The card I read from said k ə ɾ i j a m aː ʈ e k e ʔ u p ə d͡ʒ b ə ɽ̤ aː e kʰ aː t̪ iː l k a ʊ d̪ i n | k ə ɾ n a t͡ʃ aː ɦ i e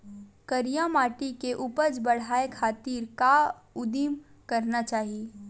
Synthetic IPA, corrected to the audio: k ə ɾ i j a m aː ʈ i k e ʔ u p ə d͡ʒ b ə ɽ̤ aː e kʰ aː t̪ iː ɾ k a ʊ d̪ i m | k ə ɾ n a t͡ʃ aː ɦ i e